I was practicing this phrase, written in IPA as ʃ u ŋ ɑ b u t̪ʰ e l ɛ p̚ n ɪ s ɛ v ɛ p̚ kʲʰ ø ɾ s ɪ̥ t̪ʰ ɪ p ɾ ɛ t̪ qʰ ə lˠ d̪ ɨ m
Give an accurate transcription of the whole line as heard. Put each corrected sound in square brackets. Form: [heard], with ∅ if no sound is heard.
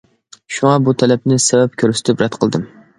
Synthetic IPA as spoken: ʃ u ŋ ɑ b u t̪ʰ [ɛ] l ɛ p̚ n ɪ s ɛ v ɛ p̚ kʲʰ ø ɾ s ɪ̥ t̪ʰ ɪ p ɾ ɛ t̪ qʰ ə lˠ d̪ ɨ m